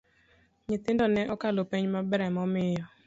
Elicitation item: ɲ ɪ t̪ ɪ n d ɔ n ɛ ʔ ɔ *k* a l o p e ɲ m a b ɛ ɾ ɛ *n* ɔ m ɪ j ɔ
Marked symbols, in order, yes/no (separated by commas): yes, no